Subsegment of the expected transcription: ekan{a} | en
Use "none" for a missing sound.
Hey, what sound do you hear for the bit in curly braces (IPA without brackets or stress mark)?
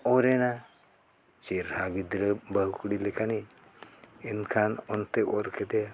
i